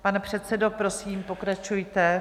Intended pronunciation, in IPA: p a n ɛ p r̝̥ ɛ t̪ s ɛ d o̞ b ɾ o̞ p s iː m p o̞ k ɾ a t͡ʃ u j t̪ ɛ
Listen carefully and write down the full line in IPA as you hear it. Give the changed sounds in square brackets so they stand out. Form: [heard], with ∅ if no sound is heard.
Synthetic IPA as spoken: p a n ɛ p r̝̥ ɛ t̪ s ɛ d o̞ [p] ɾ o̞ [∅] s iː m p o̞ k ɾ a t͡ʃ u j t̪ ɛ